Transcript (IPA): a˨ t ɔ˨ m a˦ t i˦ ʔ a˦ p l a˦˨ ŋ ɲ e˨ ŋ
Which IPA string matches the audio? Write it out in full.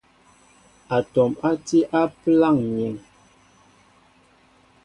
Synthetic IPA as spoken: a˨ t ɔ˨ m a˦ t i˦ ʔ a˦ p l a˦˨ ŋ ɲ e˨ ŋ